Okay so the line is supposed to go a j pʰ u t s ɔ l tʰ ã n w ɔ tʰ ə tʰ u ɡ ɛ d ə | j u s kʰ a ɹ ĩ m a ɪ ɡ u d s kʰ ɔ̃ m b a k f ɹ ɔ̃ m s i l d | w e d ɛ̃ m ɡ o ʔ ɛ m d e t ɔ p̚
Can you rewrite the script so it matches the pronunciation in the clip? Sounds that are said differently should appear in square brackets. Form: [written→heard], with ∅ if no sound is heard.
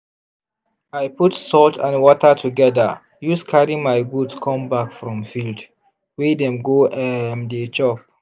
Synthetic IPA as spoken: a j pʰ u t s ɔ l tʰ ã n w ɔ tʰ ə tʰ u ɡ ɛ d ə | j u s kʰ a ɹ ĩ m a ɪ ɡ u d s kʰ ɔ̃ m b a k f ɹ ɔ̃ m [s→f] i l d | w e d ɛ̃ m ɡ o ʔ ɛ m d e [t→t͡ʃ] ɔ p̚